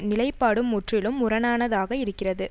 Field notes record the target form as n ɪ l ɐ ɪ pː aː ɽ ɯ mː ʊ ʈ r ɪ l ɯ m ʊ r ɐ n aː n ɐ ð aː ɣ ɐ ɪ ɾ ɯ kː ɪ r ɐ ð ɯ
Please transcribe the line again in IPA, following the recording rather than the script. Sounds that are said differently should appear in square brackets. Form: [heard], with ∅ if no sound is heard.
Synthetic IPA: n ɪ l ɐ ɪ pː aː ɽ ɯ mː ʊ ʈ r ɪ l ɯ m ʊ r ɐ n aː n ɐ ð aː ɣ ɐ ɪ ɾ ɯ kː ɪ r ɐ ð ɯ